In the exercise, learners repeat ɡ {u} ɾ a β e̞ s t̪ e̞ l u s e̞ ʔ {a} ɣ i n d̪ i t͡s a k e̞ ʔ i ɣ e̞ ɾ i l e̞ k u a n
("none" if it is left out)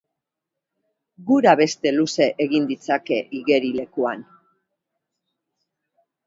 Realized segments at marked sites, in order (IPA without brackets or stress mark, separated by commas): u, e